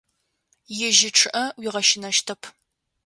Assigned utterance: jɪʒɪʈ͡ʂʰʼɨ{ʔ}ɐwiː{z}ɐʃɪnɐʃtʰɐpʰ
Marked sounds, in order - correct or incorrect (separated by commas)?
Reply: correct, incorrect